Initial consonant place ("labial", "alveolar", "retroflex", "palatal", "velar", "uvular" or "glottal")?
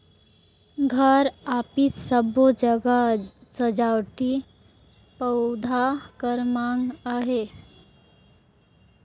velar